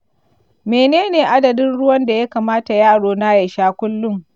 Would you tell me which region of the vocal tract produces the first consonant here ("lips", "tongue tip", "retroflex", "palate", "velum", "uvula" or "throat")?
lips